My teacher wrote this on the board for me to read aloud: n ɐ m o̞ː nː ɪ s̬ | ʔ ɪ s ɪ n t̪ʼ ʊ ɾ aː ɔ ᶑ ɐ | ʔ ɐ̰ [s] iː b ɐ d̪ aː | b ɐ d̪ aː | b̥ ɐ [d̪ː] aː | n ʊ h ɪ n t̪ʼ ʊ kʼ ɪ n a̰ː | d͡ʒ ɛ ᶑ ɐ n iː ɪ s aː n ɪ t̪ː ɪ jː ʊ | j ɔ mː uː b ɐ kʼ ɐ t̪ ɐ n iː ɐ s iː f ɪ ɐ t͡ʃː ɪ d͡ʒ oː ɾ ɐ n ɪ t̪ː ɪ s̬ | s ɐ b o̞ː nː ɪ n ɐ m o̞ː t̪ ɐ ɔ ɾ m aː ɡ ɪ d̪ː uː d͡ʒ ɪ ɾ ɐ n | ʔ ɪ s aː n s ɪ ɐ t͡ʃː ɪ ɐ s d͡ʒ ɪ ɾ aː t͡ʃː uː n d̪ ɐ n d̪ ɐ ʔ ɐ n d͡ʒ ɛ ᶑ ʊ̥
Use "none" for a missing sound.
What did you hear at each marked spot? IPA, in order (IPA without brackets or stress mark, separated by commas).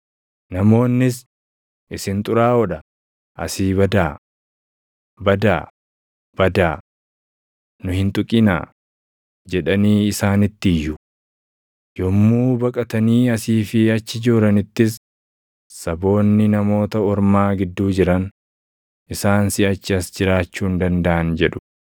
s, d̪